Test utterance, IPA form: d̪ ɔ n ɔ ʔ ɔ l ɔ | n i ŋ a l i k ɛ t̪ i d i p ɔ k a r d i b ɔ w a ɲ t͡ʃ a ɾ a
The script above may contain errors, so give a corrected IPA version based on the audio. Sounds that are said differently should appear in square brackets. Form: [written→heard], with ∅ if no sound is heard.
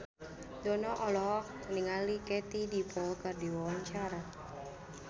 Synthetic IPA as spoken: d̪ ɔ n ɔ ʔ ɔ l ɔ | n i ŋ a l i k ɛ t̪ i d i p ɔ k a r d i [b→w] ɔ w a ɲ t͡ʃ a ɾ a